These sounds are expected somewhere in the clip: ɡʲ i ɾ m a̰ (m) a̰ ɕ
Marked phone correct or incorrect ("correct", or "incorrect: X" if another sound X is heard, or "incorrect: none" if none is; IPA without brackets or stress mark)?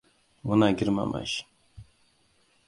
correct